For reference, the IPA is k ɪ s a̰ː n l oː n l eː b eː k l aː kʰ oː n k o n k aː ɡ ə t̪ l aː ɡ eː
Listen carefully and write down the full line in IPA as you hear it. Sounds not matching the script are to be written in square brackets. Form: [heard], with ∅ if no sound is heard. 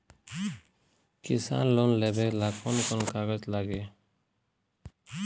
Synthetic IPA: k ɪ s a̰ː n l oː n l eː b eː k l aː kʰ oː n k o n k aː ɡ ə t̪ l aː ɡ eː